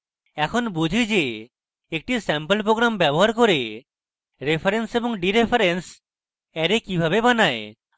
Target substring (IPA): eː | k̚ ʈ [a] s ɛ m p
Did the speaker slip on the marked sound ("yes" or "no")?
yes